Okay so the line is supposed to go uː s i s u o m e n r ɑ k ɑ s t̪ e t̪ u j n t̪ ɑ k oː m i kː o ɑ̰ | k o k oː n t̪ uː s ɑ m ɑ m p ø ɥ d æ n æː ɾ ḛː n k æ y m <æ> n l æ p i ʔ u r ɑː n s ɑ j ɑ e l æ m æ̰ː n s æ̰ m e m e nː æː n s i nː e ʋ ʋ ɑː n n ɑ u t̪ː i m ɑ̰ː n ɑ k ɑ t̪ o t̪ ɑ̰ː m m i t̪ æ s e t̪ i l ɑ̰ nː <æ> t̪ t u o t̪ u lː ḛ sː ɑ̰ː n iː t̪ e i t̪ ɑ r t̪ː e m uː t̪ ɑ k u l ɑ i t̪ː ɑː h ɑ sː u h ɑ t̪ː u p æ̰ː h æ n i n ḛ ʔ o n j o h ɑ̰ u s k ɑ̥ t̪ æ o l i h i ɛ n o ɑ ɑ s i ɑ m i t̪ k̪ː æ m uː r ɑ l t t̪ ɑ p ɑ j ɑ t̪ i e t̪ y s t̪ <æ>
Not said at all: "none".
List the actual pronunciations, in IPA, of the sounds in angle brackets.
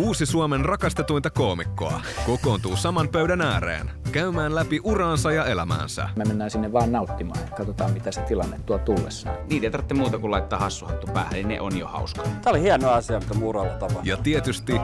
æː, e, i

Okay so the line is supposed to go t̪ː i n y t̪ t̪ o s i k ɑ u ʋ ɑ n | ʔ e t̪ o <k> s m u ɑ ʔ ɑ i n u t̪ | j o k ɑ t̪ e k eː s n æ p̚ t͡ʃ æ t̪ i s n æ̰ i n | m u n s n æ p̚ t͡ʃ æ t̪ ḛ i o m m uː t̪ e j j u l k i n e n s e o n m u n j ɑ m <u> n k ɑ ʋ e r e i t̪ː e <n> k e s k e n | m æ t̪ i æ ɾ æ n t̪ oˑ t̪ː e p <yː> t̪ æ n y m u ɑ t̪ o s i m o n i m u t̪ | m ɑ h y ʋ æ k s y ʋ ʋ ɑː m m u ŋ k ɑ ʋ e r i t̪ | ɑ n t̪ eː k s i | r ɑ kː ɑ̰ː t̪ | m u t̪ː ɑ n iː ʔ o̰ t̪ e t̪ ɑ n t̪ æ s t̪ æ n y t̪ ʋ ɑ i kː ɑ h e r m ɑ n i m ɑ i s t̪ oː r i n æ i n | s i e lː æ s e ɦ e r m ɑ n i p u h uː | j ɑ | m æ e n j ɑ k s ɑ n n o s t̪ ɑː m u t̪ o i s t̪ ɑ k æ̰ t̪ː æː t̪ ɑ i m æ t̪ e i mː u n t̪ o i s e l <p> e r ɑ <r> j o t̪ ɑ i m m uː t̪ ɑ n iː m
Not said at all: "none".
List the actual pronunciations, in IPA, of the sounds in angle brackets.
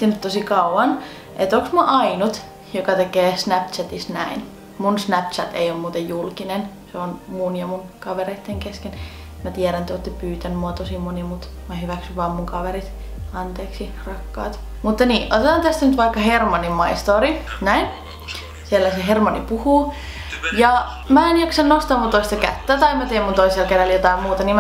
k, u, ŋ, yː, k, l

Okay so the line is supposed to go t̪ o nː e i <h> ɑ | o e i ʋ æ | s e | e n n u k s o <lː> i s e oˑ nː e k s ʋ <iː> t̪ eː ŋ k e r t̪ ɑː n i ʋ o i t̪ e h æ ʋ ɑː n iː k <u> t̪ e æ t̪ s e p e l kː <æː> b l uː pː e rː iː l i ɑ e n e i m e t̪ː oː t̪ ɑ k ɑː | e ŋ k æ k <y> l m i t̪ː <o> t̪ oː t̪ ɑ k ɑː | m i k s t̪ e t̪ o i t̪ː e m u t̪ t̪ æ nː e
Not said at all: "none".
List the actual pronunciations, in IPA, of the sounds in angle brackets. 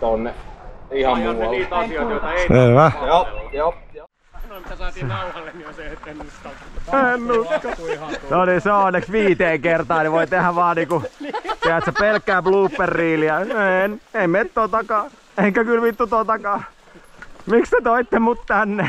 h, l, iː, u, æː, y, u

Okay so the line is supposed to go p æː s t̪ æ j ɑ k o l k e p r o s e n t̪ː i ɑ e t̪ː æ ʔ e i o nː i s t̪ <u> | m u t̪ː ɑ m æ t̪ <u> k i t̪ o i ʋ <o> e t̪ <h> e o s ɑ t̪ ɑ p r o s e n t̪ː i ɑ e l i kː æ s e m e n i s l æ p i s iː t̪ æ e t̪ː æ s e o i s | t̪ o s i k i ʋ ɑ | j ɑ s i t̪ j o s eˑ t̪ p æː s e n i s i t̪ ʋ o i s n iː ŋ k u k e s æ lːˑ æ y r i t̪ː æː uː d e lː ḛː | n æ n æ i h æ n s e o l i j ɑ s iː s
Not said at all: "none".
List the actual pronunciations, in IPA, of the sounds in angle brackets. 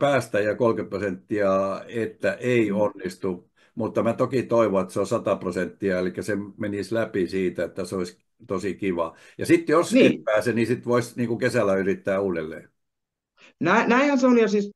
u, o, o, s

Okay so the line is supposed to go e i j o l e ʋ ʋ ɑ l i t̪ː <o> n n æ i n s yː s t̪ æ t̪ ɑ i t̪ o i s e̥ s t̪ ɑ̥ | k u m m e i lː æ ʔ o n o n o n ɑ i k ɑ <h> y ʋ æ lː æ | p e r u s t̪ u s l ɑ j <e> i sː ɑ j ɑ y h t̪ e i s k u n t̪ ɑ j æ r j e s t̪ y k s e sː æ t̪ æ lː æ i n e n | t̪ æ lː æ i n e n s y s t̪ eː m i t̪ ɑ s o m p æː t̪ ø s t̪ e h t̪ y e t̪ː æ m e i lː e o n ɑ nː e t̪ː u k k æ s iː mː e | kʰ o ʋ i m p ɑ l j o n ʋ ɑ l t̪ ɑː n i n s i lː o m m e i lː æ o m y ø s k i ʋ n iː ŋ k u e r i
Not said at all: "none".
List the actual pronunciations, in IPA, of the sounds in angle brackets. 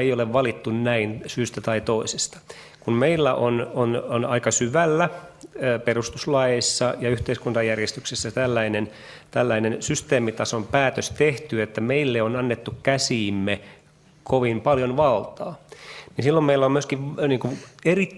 u, s, e

